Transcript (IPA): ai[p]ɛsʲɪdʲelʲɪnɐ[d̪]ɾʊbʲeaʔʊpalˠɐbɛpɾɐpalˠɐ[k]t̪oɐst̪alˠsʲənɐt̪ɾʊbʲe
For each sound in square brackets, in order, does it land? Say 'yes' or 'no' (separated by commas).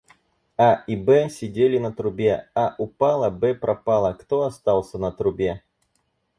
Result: no, no, yes